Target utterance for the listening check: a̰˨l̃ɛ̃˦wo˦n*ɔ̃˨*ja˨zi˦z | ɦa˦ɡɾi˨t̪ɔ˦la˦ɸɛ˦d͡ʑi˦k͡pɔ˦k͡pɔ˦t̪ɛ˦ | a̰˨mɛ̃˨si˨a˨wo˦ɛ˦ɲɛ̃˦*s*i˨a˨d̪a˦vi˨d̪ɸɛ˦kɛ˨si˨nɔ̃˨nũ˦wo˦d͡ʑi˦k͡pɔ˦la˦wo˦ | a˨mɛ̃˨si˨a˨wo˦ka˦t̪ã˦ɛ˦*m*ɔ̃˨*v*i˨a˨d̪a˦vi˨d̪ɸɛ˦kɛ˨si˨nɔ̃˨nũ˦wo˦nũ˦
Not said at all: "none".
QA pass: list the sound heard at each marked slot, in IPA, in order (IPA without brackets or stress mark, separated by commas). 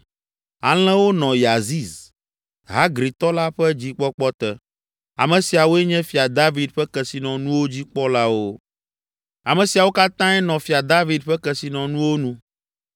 ɔ̃˨, f, n, f